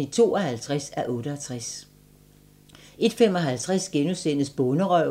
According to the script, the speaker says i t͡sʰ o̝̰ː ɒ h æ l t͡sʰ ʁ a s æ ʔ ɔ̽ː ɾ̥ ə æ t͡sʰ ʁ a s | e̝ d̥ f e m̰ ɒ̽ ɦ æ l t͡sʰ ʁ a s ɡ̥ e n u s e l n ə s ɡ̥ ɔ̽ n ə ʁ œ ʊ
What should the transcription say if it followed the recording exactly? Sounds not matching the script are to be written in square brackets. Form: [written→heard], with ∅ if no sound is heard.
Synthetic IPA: i t͡sʰ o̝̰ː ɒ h æ l t͡sʰ ʁ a s æ ʔ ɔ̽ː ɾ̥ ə æ t͡sʰ ʁ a s | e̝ d̥ f e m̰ ɒ̽ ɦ æ l t͡sʰ ʁ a s ɡ̥ e n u s e [l→∅] n ə s [ɡ̥→b̥] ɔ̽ n ə ʁ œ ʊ